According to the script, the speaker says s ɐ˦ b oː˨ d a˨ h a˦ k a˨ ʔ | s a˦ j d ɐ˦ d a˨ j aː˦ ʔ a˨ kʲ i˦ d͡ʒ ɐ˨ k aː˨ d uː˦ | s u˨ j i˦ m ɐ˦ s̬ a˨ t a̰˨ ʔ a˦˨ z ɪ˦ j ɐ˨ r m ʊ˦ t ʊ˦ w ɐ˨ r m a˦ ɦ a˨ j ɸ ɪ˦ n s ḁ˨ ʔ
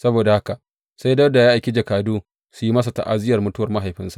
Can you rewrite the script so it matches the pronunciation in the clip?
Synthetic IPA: s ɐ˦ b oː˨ d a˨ h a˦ k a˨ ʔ | s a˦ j d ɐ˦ d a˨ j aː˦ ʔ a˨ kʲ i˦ d͡ʒ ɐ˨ k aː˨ d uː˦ | s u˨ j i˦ m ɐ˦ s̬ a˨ t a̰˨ ʔ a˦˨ z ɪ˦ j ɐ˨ r m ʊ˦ t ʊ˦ w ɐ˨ r m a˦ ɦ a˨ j ɸ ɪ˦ n s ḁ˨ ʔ